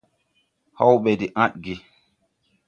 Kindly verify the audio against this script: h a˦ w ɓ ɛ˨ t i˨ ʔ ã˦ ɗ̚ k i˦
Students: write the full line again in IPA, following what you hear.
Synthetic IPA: h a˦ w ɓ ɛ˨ d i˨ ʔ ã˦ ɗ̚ ɡ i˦